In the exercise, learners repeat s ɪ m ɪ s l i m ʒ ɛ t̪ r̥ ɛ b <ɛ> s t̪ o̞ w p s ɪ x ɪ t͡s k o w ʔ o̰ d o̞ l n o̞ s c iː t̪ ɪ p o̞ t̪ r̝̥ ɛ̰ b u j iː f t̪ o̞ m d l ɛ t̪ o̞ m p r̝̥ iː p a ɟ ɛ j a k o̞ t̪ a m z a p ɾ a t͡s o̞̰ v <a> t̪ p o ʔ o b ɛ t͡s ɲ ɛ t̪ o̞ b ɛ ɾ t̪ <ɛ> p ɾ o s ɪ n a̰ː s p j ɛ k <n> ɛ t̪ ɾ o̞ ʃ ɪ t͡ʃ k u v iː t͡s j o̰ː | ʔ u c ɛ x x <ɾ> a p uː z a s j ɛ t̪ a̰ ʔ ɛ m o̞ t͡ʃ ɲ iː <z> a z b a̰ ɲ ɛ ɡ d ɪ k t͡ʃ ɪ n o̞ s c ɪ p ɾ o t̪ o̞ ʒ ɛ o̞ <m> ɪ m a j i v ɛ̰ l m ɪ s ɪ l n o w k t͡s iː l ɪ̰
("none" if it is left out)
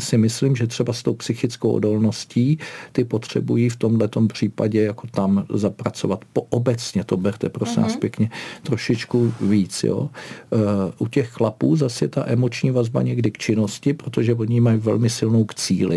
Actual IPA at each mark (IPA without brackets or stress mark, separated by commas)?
a, a, ɛ, ɲ, l, v, ɲ